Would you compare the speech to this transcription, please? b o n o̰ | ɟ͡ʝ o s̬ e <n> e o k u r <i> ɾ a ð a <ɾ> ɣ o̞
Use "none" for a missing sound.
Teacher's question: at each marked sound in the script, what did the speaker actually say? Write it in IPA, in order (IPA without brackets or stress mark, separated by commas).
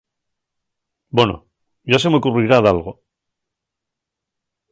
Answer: m, i, l